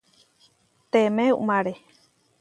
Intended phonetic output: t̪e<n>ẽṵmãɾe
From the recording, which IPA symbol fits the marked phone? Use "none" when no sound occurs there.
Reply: m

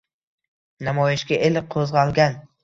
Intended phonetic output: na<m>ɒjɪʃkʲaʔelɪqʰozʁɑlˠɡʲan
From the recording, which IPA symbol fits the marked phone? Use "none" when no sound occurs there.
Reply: m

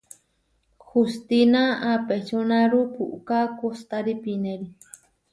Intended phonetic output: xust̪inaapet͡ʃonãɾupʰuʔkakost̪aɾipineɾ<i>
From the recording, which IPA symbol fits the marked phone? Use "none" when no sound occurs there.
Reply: i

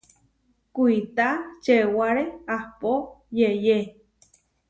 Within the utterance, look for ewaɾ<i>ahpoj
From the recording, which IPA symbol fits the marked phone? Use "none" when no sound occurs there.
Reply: e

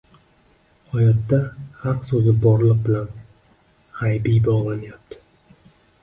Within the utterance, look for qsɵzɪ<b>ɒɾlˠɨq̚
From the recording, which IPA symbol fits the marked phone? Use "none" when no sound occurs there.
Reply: b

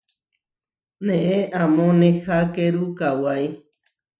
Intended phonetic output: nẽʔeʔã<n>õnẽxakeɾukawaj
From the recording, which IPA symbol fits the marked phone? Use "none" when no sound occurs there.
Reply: m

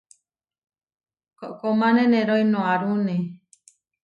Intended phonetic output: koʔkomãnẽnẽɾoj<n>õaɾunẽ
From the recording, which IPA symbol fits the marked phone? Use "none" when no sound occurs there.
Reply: n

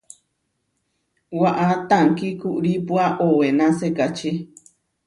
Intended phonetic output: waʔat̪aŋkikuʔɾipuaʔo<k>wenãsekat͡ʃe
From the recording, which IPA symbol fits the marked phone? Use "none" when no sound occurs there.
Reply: none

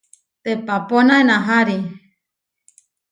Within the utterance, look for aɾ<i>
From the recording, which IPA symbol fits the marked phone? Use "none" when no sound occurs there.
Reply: i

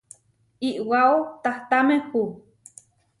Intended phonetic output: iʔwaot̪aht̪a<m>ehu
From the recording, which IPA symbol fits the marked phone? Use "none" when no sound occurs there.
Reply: m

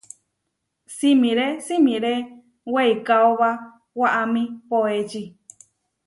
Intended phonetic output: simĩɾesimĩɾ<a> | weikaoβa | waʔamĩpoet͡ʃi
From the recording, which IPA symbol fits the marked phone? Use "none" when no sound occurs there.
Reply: e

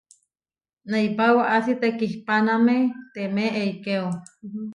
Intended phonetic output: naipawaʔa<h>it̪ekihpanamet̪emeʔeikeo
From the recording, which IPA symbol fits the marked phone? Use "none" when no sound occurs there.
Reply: s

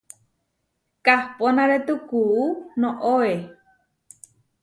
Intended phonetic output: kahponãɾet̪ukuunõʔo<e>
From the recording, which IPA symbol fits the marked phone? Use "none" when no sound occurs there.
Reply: e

